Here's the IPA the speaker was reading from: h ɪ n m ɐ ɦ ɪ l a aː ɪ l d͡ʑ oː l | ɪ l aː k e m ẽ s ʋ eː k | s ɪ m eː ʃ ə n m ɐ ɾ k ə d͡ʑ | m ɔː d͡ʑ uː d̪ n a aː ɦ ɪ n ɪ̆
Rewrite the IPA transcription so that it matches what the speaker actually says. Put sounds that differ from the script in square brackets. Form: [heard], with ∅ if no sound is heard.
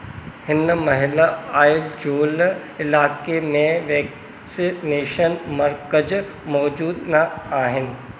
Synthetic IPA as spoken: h ɪ n m ɐ ɦ ɪ l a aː ɪ l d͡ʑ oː l | ɪ l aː k e m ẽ [∅] ʋ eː k | s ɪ [n] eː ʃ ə n m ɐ ɾ k ə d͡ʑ | m ɔː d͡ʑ uː d̪ n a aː ɦ ɪ n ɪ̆

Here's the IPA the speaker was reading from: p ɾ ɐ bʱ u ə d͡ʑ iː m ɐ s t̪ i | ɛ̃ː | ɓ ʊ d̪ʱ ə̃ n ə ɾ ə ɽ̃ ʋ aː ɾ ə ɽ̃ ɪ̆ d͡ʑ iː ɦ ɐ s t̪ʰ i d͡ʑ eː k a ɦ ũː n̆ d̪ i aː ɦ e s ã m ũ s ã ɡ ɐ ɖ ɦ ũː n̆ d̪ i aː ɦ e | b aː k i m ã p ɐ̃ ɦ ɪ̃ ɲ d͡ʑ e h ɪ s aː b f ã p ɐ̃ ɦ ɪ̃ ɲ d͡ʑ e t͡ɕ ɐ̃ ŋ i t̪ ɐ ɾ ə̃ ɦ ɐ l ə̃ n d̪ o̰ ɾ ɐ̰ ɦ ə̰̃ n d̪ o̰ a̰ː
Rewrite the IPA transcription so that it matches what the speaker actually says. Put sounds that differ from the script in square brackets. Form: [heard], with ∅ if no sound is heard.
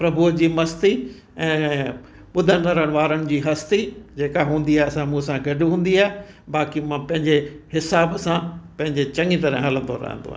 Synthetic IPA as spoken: p ɾ ɐ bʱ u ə d͡ʑ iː m ɐ s t̪ i | ɛ̃ː | ɓ ʊ d̪ʱ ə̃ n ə ɾ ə ɽ̃ ʋ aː ɾ ə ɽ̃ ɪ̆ d͡ʑ iː ɦ ɐ s [t̪] i d͡ʑ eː k a ɦ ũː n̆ d̪ i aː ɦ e s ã m ũ s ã ɡ ɐ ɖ ɦ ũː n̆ d̪ i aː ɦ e | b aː k i m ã p ɐ̃ ɦ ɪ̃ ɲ d͡ʑ e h ɪ s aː b [s] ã p ɐ̃ ɦ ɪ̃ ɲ d͡ʑ e t͡ɕ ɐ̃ ŋ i t̪ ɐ ɾ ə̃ ɦ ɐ l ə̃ n d̪ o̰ ɾ ɐ̰ ɦ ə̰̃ n d̪ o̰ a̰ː

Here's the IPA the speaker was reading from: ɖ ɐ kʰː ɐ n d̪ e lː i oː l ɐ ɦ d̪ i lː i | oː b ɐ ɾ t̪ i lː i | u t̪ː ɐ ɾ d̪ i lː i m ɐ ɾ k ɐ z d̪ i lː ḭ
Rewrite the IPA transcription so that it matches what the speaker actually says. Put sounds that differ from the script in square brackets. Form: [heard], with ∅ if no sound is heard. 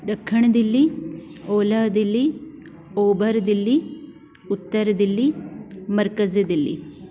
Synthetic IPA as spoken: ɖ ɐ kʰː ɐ [ɳ] d̪ [i] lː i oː l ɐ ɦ d̪ i lː i | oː b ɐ ɾ [d̪] i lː i | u t̪ː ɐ ɾ d̪ i lː i m ɐ ɾ k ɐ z d̪ i lː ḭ

